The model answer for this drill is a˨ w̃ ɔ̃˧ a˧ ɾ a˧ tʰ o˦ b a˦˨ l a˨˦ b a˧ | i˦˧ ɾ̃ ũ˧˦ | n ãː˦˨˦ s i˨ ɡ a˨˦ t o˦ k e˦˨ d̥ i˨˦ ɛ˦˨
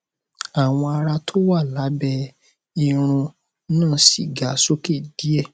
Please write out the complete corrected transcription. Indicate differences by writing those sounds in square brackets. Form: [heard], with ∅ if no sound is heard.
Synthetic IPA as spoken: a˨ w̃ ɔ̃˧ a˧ ɾ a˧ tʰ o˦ [w] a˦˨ l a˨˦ b [ɛ˧] | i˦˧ ɾ̃ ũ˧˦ | n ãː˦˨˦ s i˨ ɡ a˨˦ [s] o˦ k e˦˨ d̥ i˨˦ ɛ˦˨